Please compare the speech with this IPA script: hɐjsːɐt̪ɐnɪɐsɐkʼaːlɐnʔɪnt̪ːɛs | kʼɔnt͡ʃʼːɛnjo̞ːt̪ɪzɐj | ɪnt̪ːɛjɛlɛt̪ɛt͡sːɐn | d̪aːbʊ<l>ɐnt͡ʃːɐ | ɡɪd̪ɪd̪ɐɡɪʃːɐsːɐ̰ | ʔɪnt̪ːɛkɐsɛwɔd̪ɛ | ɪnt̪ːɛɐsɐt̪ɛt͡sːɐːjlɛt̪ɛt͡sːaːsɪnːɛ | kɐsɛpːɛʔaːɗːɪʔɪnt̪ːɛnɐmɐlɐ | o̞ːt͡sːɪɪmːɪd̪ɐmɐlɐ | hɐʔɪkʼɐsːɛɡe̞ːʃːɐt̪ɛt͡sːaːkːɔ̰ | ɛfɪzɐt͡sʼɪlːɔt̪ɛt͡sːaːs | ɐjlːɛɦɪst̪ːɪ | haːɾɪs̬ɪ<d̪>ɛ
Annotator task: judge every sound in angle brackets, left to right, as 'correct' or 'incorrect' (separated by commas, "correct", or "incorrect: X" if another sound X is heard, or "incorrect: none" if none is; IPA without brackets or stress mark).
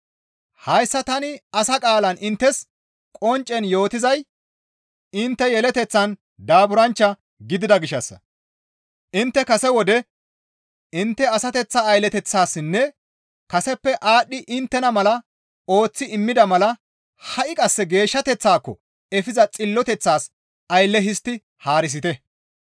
incorrect: ɾ, incorrect: t̪